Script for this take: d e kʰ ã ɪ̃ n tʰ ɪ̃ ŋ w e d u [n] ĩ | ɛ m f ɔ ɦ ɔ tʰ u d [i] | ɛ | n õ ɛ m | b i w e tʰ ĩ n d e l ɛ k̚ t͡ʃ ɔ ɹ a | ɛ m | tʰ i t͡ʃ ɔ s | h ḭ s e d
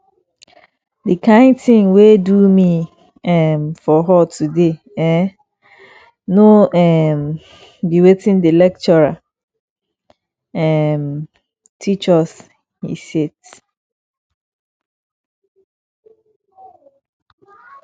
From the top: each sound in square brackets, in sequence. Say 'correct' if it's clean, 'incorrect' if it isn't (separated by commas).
incorrect, incorrect